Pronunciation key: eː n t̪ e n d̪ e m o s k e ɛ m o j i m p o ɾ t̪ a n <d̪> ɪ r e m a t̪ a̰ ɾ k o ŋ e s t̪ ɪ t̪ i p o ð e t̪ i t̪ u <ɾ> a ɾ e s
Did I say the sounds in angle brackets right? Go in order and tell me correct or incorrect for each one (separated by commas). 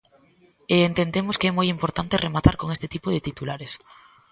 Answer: incorrect, incorrect